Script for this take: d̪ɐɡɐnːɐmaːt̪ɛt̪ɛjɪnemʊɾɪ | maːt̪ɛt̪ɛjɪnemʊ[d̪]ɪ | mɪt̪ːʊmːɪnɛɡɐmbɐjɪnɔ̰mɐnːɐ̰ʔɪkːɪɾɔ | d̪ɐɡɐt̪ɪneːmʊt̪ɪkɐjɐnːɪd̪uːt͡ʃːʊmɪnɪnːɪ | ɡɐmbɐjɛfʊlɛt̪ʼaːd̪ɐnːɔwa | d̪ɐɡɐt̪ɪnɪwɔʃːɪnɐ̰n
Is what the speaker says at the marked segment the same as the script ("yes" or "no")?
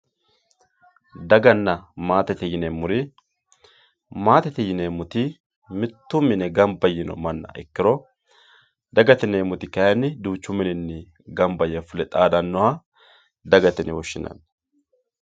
no